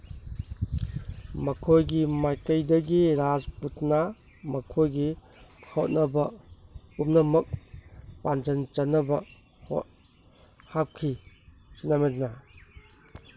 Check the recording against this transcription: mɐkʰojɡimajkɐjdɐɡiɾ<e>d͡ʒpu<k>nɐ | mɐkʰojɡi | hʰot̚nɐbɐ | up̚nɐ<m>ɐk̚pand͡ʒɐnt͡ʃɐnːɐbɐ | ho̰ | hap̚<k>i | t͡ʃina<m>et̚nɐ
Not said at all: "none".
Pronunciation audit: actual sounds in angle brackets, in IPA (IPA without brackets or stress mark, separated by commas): a, t, m, kʰ, m